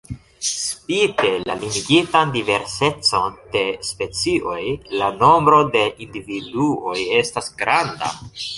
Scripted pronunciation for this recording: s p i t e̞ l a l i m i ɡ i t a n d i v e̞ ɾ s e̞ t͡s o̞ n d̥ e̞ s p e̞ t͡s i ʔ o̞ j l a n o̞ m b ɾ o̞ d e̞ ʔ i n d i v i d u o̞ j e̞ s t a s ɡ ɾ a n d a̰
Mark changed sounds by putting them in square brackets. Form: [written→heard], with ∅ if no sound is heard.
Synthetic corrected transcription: s p i t e̞ l a l i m i ɡ i t a n d i v e̞ ɾ s e̞ t͡s o̞ n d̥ e̞ s p e̞ t͡s i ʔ o̞ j l a n o̞ m b ɾ o̞ d e̞ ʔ i n d i v i d u o̞ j e̞ s t a s ɡ ɾ a n d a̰

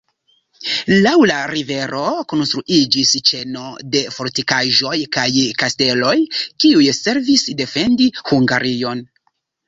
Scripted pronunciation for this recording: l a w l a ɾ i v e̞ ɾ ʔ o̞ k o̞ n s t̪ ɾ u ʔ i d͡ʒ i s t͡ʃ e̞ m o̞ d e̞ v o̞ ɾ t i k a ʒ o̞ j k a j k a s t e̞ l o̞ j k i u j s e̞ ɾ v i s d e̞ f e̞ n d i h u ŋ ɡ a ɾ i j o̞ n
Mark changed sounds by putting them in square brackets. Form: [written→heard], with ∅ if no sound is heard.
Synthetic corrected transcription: l a w l a ɾ i v e̞ ɾ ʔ o̞ k o̞ n s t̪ ɾ u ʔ i d͡ʒ i s t͡ʃ e̞ [m→n] o̞ d e̞ [v→f] o̞ ɾ t i k a ʒ o̞ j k a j k a s t e̞ l o̞ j k i u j s e̞ ɾ v i s d e̞ f e̞ n d i h u ŋ ɡ a ɾ i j o̞ n

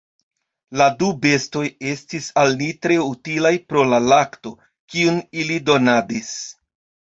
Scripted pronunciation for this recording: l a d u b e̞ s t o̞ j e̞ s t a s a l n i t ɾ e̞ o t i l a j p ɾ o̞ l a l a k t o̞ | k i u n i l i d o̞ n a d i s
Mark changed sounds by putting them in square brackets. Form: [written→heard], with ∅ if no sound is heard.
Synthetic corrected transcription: l a d u b e̞ s t o̞ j e̞ s t [a→i] s a l n i t ɾ e̞ [o→u] t i l a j p ɾ o̞ l a l a k t o̞ | k i u n i l i d o̞ n a d i s

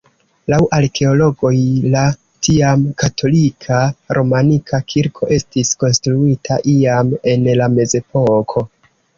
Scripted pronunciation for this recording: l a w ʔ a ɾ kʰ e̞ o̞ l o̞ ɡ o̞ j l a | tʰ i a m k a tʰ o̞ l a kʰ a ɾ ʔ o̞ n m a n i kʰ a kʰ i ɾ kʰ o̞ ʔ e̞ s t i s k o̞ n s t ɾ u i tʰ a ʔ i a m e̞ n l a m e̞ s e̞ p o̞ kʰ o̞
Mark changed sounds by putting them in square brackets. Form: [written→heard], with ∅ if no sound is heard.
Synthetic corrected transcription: l a w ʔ a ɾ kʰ e̞ o̞ l o̞ ɡ o̞ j l a | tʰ i a m k a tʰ o̞ l [a→i] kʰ a ɾ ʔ o̞ [n→∅] m a n i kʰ a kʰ i ɾ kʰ o̞ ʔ e̞ s t i s k o̞ n s t ɾ u i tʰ a ʔ i a m e̞ n l a m e̞ [s→z] e̞ p o̞ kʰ o̞

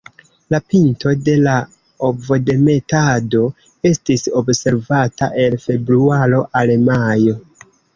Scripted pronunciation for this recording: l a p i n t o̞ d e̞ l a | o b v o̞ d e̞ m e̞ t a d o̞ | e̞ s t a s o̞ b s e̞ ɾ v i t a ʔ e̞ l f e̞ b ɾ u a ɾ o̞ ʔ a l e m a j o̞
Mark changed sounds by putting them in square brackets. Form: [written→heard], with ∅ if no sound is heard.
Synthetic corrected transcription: l a p i n t o̞ d e̞ l a | o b v o̞ d e̞ m e̞ t a d o̞ | e̞ s t [a→i] s o̞ b s e̞ ɾ v [i→a] t a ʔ e̞ l f e̞ b ɾ u a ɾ o̞ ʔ a l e m a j o̞

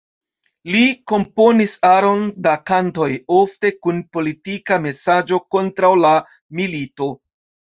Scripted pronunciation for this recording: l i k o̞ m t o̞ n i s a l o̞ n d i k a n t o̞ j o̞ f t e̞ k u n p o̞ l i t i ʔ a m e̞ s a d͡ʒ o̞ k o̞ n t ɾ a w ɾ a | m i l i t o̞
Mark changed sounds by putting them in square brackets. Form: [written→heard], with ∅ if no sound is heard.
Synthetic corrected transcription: l i k o̞ m [t→p] o̞ n i s a [l→ɾ] o̞ n d [i→a] k a n t o̞ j o̞ f t e̞ k u n p o̞ l i t i [ʔ→k] a m e̞ s a d͡ʒ o̞ k o̞ n t ɾ a w [ɾ→l] a | m i l i t o̞

